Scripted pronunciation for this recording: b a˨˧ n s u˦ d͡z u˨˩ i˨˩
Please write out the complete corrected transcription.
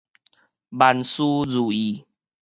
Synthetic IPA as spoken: b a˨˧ n s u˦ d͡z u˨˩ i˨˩

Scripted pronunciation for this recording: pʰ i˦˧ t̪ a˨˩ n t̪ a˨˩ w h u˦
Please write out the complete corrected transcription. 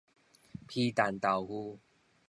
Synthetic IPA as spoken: pʰ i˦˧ t̪ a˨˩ n t̪ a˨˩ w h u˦

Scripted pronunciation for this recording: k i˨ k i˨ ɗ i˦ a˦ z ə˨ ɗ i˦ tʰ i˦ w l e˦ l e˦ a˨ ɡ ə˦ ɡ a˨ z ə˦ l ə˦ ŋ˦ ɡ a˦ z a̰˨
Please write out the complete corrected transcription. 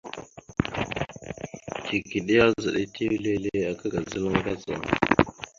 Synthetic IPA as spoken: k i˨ k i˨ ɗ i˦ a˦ z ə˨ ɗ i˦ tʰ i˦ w l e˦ l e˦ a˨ k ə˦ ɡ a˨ z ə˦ l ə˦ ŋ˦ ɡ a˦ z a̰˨

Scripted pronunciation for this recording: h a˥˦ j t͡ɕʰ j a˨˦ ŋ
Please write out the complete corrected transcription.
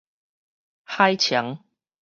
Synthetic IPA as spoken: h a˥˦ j t͡ɕʰ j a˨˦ ŋ

